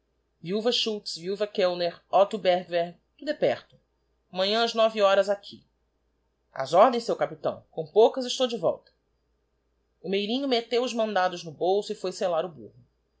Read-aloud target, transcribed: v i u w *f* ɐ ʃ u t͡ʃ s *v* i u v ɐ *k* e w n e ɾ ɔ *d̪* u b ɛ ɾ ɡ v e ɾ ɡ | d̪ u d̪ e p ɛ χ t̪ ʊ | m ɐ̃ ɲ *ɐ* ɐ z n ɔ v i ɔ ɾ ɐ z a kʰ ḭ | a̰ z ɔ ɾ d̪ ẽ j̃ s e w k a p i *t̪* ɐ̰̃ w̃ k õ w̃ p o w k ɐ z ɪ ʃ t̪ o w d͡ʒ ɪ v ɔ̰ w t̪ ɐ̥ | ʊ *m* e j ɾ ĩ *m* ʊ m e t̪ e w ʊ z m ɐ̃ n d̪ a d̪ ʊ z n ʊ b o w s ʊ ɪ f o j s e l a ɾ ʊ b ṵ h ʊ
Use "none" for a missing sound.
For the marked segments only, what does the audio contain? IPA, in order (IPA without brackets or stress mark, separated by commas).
v, v, k, t̪, ɐ̃, t̪, m, ɲ